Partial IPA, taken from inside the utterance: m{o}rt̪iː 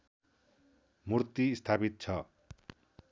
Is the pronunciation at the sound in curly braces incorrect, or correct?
incorrect: u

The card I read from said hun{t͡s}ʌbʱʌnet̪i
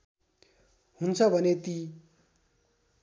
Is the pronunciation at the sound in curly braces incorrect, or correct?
incorrect: t͡sʰ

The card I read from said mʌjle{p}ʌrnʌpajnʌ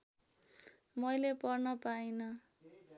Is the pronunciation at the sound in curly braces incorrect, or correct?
correct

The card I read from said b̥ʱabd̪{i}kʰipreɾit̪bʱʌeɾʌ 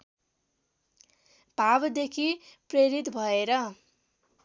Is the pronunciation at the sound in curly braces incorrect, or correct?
incorrect: e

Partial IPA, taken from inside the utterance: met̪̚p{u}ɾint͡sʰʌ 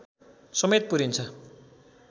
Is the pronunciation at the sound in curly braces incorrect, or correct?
correct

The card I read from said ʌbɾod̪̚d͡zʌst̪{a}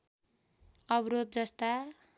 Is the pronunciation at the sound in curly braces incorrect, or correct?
correct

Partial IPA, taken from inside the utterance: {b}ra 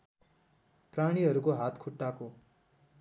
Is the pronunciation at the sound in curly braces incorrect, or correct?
incorrect: p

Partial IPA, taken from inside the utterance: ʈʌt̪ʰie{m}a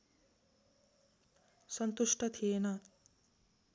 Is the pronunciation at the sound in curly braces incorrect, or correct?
incorrect: n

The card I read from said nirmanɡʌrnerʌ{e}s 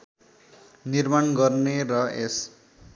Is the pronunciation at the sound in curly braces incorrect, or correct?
correct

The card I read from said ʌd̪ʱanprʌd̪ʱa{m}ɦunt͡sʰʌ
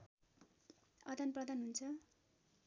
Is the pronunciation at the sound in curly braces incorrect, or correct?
incorrect: n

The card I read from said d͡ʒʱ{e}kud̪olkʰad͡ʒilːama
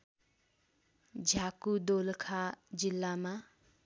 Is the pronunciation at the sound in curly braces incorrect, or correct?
incorrect: a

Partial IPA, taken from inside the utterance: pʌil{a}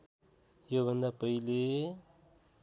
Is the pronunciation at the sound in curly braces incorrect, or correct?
incorrect: e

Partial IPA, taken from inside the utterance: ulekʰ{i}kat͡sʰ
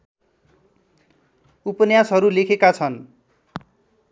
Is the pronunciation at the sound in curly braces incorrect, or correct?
incorrect: e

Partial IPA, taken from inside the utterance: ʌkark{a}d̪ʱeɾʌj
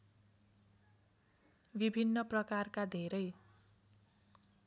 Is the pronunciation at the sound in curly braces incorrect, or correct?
correct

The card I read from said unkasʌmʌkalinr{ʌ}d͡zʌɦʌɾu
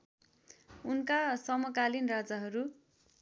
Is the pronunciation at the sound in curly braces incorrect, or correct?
incorrect: a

